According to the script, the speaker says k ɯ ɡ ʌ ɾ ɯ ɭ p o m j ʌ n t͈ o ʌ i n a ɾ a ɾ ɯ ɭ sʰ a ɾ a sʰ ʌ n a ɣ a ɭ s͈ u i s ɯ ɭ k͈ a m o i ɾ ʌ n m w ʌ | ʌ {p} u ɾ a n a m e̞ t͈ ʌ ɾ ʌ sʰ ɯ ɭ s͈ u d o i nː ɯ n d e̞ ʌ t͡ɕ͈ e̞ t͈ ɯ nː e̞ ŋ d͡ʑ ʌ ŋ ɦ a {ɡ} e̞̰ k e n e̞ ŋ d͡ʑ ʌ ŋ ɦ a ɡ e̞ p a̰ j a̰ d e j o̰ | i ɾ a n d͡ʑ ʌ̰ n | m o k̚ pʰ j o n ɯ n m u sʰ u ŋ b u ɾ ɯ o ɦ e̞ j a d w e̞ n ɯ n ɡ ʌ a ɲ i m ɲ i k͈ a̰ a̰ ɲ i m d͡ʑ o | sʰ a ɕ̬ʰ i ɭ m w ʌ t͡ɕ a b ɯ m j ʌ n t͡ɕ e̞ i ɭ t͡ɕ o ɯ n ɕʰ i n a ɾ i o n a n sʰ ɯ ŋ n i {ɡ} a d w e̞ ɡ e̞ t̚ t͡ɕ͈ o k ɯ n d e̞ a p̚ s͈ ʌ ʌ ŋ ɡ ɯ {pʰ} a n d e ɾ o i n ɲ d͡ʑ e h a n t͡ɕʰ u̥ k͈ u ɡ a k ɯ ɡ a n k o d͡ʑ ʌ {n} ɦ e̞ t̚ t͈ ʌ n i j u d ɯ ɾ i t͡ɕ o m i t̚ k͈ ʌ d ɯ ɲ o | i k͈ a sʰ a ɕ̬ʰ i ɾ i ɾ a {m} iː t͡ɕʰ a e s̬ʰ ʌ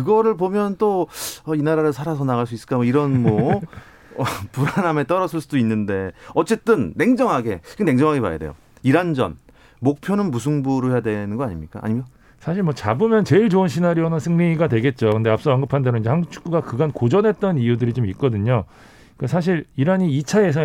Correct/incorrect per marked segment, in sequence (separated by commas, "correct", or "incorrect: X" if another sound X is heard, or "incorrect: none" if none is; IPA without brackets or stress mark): correct, correct, correct, correct, correct, incorrect: ɲ